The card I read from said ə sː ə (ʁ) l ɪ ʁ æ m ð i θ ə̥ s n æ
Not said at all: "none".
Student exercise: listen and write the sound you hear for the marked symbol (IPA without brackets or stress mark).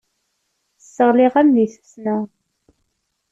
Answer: ʁ